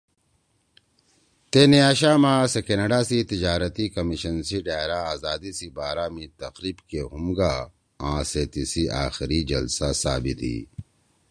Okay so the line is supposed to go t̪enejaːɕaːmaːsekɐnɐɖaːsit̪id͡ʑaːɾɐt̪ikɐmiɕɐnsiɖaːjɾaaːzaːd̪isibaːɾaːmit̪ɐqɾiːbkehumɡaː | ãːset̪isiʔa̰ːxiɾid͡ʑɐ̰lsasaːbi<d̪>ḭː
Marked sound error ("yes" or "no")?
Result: yes